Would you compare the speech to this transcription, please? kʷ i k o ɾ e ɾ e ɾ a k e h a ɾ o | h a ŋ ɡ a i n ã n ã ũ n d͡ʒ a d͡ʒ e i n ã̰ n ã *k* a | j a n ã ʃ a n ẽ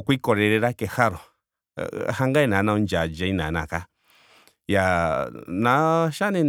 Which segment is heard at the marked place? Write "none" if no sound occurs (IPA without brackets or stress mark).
k